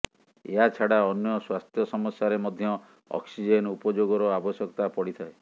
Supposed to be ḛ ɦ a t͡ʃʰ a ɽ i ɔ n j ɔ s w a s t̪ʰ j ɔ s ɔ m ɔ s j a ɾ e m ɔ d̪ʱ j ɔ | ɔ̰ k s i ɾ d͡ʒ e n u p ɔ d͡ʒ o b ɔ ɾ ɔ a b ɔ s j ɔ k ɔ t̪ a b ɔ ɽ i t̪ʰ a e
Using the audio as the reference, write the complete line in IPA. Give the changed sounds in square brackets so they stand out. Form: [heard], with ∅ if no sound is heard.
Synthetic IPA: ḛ ɦ a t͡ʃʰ a ɽ [a] ɔ n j ɔ s w a s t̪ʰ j ɔ s ɔ m ɔ s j a ɾ e m ɔ d̪ʱ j ɔ | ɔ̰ k s i [∅] d͡ʒ e n u p ɔ d͡ʒ o [ɡ] ɔ ɾ ɔ a b ɔ s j ɔ k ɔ t̪ a [p] ɔ ɽ i t̪ʰ a e